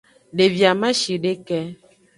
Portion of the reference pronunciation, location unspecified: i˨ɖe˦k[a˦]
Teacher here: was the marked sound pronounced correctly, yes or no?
no